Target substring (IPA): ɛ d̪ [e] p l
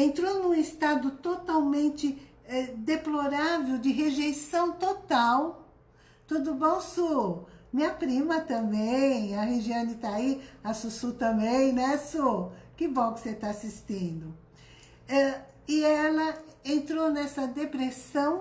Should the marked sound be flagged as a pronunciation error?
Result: no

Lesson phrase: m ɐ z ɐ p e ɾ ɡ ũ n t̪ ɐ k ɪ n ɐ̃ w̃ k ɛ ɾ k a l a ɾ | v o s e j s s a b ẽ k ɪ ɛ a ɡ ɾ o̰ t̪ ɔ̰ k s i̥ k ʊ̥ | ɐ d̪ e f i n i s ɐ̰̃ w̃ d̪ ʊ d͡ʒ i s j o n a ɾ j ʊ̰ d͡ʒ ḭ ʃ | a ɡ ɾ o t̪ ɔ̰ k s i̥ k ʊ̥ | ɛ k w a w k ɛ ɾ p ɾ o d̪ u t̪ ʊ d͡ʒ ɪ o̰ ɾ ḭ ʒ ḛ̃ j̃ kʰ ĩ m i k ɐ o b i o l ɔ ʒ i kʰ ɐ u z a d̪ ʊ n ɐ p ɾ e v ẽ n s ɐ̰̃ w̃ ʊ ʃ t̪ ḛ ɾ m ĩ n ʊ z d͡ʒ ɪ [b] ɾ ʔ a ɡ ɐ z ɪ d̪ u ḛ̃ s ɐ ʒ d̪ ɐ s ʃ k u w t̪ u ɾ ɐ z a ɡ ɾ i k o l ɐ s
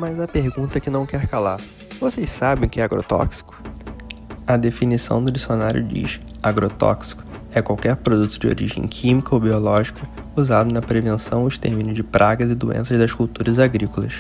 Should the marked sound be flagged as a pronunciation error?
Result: yes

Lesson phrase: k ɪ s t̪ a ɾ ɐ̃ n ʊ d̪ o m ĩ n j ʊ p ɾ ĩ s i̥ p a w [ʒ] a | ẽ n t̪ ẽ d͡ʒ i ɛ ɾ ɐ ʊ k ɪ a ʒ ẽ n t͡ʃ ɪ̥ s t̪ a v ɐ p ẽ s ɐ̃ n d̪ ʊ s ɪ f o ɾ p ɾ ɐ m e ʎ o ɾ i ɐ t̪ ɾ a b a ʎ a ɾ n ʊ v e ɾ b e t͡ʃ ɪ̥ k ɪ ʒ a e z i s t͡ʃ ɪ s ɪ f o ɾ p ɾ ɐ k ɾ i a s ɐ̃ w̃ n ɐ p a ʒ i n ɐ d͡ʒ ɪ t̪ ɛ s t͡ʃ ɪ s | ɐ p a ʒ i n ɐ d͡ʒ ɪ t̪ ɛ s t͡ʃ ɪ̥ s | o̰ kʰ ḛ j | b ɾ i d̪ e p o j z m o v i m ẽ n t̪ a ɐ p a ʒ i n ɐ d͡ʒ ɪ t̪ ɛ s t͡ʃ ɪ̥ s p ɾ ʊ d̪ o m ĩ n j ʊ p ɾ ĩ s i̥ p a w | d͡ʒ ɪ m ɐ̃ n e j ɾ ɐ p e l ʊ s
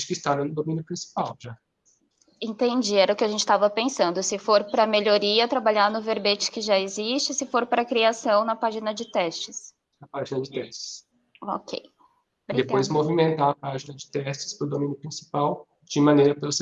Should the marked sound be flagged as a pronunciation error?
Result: no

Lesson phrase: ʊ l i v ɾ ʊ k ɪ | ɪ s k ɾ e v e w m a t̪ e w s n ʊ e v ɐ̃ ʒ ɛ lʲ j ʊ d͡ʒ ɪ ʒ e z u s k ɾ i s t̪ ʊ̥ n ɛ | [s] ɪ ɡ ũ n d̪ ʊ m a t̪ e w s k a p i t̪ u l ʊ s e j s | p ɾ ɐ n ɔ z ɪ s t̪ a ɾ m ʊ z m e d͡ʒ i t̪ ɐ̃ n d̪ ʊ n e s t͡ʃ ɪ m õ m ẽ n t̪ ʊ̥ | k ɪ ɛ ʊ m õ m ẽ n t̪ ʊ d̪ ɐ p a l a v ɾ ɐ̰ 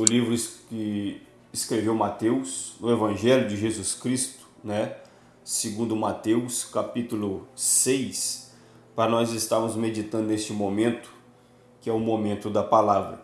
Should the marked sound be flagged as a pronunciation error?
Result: no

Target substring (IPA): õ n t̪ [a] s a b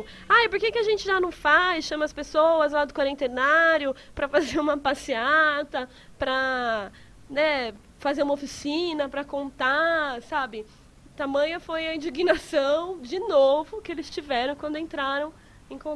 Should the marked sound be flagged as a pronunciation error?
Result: no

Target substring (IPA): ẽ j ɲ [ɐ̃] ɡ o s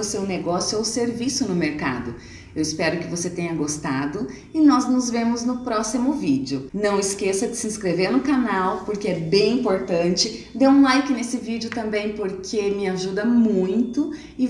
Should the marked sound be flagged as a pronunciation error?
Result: yes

